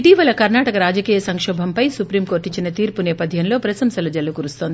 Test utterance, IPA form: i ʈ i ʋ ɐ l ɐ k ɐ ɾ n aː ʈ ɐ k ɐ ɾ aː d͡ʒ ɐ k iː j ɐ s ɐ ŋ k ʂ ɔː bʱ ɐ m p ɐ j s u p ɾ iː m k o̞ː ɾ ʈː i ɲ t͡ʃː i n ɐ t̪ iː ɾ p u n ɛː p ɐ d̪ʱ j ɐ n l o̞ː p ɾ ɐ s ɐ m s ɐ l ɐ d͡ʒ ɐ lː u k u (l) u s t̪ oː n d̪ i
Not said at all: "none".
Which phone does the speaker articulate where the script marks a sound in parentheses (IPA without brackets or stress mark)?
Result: ɾ